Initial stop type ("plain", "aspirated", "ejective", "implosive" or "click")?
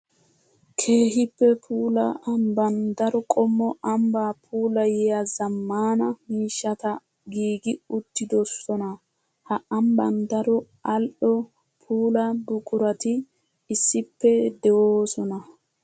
aspirated